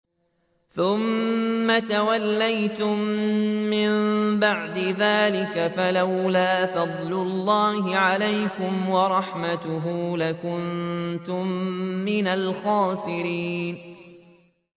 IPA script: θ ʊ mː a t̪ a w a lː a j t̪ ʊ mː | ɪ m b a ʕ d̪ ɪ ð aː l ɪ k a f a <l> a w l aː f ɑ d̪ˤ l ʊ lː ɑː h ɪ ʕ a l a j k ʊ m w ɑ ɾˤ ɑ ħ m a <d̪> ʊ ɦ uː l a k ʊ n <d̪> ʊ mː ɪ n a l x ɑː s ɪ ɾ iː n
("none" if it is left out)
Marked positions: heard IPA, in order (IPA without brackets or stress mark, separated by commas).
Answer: l, t̪, t̪